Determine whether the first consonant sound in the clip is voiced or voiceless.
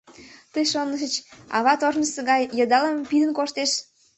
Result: voiceless